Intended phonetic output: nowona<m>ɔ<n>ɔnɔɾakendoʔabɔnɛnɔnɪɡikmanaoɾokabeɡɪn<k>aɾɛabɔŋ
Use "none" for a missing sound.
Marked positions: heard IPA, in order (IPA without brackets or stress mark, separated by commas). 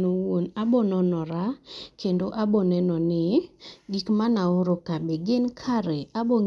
b, n, kʰ